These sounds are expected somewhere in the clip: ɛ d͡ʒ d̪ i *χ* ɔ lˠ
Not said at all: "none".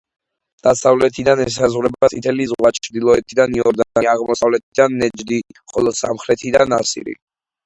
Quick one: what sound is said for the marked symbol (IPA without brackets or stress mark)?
χ